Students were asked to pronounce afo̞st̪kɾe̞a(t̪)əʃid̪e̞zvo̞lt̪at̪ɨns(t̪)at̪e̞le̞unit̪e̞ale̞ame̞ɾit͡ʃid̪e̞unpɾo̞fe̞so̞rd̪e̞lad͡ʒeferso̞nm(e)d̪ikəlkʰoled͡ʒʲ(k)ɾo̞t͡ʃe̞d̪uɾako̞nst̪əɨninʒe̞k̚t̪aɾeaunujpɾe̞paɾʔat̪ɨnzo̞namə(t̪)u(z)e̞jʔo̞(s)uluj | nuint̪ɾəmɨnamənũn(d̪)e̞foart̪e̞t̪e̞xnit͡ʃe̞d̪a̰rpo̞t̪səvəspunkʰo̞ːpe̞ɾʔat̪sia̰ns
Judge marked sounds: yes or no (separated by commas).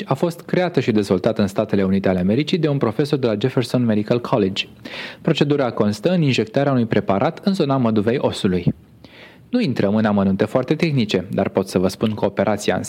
yes, yes, yes, no, no, no, yes, no